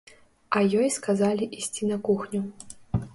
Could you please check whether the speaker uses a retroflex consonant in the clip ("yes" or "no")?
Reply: no